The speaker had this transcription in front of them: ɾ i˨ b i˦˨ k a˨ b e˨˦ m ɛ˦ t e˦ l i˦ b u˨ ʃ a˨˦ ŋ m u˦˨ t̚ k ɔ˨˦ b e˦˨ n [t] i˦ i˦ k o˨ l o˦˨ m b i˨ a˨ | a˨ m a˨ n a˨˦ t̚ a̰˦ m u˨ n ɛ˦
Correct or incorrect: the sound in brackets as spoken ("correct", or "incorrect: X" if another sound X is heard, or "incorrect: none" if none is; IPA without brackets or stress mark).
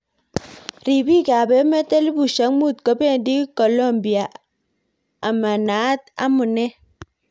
incorrect: d